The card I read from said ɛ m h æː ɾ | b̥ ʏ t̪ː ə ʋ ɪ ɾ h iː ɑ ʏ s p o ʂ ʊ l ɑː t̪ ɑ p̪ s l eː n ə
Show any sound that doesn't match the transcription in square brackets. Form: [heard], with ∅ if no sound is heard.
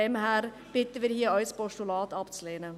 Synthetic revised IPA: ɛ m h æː ɾ | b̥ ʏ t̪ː ə ʋ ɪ ɾ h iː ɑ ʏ s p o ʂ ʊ l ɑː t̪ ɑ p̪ s l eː n ə